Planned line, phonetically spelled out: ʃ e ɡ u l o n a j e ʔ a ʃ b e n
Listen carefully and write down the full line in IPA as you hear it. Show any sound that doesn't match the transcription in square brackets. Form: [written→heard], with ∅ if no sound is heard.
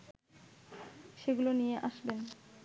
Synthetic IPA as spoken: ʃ e ɡ u l o n [a→i] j e ʔ a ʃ b e n